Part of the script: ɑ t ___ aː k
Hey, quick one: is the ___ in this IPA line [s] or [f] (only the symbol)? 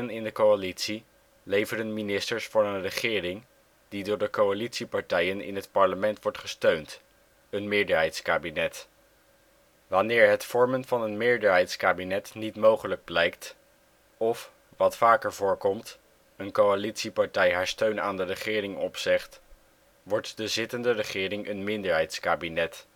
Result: f